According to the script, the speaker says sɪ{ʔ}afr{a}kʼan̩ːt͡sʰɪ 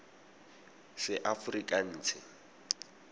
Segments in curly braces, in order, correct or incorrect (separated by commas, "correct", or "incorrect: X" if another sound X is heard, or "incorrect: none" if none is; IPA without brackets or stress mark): correct, incorrect: i